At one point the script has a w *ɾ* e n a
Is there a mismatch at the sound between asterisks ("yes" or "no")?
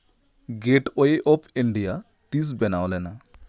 yes